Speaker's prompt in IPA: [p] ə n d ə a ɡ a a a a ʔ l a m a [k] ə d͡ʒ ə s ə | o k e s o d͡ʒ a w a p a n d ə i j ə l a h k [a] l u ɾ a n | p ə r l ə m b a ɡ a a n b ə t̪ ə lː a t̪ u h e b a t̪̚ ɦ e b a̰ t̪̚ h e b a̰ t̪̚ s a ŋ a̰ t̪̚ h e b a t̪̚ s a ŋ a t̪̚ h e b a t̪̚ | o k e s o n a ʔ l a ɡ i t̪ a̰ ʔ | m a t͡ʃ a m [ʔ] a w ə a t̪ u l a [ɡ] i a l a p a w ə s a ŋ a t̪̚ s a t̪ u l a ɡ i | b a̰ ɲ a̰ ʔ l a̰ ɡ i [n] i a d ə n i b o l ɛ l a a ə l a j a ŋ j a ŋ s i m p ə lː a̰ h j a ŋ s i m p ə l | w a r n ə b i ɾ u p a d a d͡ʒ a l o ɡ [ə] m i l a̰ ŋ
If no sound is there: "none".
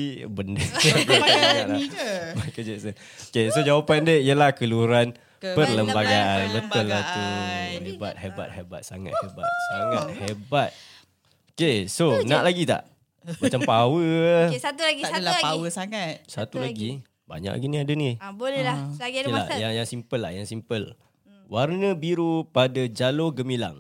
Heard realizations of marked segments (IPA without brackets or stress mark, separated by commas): b, k, ə, p, ɡ, n, ə